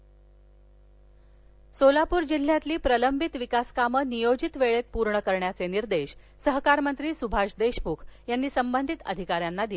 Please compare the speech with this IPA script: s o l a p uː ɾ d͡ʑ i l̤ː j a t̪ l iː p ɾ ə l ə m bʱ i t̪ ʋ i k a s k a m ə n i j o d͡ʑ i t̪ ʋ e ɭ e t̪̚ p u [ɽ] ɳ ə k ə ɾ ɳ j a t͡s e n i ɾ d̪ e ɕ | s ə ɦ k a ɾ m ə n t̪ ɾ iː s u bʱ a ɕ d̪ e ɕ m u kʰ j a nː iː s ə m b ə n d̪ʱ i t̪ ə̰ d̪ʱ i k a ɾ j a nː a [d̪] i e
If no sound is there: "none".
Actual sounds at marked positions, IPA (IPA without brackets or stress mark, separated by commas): ɾ, d̪